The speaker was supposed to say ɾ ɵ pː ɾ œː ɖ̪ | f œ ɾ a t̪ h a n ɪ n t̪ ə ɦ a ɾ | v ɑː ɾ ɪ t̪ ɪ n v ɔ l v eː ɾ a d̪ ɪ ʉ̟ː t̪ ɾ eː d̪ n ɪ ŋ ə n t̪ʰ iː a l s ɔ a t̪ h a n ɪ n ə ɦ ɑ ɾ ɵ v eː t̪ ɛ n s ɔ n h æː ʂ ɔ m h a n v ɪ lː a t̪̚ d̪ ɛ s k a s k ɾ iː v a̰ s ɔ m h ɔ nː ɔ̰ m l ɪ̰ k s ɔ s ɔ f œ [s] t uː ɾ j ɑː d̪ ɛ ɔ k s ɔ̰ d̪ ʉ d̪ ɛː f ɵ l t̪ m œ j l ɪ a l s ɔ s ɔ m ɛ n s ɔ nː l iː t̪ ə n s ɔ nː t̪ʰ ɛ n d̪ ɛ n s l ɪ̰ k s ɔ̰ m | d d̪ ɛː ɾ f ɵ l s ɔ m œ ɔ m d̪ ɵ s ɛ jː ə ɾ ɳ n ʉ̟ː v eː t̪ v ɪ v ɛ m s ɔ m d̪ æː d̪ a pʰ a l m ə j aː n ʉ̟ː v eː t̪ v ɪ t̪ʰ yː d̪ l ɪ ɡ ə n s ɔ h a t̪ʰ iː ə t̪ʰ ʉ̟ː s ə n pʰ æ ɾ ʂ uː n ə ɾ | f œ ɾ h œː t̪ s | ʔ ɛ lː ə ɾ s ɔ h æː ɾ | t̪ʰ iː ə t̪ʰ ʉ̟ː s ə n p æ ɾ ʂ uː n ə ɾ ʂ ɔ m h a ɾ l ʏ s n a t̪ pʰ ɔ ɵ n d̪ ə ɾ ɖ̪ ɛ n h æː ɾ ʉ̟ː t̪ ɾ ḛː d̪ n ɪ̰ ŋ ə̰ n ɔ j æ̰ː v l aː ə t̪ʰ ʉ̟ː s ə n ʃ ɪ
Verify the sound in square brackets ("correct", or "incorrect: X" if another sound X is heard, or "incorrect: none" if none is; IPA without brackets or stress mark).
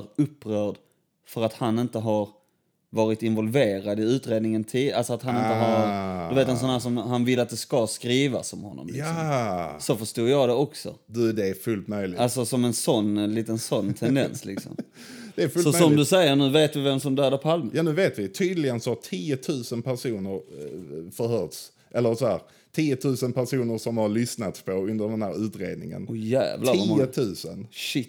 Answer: incorrect: ʂ